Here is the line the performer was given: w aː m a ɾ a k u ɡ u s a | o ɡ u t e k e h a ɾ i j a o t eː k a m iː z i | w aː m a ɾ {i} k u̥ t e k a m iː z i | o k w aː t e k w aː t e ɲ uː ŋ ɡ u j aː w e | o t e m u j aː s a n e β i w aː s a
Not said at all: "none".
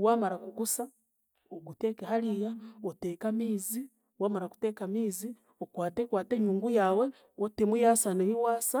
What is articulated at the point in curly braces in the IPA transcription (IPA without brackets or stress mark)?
a